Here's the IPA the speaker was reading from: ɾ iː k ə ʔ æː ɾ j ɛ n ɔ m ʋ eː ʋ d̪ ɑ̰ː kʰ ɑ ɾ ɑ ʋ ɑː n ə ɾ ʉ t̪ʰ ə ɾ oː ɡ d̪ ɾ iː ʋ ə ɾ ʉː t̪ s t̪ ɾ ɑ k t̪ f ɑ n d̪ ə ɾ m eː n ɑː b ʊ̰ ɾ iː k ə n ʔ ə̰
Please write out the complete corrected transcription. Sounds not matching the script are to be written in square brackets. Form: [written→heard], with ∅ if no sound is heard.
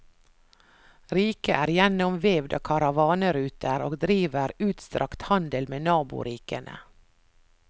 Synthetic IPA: ɾ iː k ə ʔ æː ɾ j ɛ n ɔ m ʋ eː ʋ d̪ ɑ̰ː kʰ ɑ ɾ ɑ ʋ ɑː n ə ɾ [ʉ→ʉː] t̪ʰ ə ɾ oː ɡ d̪ ɾ iː ʋ ə ɾ ʉː t̪ s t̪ ɾ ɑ k t̪ [f→h] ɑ n d̪ ə [ɾ→l] m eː n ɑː b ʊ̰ ɾ iː k ə n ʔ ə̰